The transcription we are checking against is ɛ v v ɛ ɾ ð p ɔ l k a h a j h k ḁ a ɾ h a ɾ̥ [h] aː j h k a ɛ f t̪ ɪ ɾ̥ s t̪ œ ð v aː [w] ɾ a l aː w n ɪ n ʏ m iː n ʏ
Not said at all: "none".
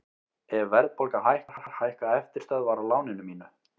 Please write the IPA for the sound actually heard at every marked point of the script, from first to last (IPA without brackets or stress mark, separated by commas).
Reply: h, none